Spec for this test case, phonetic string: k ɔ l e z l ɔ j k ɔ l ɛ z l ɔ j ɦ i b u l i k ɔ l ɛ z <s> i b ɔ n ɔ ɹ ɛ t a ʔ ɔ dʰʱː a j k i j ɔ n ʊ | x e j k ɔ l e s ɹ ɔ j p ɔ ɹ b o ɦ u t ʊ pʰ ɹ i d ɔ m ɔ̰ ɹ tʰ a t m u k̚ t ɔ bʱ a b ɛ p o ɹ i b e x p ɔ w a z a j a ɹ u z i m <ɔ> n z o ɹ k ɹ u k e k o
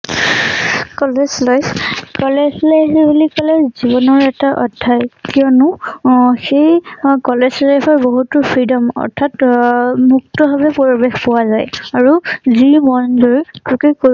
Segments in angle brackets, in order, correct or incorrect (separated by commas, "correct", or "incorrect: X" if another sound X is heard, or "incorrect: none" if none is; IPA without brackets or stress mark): incorrect: z, correct